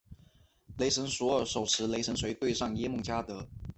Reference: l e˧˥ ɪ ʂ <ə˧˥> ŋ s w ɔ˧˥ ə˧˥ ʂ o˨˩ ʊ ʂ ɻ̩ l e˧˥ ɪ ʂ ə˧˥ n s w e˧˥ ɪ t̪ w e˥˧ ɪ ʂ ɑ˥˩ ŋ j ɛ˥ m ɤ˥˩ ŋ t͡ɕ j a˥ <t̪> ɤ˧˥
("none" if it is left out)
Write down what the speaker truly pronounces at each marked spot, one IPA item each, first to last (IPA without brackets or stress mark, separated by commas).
ə˧˥, t̪